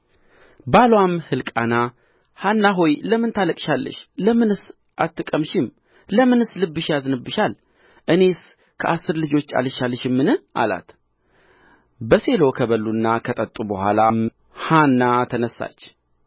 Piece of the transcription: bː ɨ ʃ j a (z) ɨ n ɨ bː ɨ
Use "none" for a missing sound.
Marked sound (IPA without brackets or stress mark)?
z